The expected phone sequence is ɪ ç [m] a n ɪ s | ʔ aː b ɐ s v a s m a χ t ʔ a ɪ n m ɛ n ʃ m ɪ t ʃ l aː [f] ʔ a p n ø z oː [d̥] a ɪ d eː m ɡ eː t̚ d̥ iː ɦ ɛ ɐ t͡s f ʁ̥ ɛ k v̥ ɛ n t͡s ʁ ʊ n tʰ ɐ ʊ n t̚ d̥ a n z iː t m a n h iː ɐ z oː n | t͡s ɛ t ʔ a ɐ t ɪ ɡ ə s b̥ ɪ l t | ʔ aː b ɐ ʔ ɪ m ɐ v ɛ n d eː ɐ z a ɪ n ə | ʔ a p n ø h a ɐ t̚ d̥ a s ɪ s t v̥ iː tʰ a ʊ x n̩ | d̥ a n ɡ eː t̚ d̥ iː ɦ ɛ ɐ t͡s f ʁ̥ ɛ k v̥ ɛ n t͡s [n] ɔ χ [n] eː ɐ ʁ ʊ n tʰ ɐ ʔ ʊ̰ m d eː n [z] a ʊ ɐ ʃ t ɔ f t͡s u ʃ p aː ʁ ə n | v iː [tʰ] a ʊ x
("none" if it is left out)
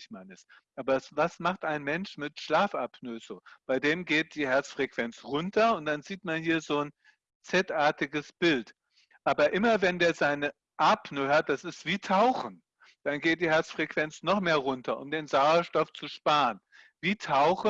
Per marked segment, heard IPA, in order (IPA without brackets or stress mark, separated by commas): m, f, b̥, n, m, z, tʰ